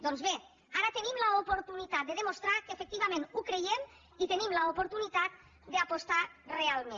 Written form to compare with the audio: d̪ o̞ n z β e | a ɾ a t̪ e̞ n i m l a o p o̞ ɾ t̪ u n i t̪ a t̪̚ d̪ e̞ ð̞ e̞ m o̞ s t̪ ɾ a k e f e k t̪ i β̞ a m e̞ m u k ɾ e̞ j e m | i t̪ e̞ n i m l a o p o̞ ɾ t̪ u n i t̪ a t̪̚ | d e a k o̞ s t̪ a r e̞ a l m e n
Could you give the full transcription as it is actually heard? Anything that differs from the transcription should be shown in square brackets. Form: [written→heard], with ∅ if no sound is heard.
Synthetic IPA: d̪ o̞ n z β e | a ɾ a t̪ e̞ n i m l a o p o̞ ɾ t̪ u n i t̪ a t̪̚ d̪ e̞ ð̞ e̞ m o̞ s t̪ ɾ a k e f e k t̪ i β̞ a m e̞ [m→n] u k ɾ e̞ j e m | i t̪ e̞ n i m l a o p o̞ ɾ t̪ u n i t̪ a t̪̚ | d e a [k→p] o̞ s t̪ a r e̞ a l m e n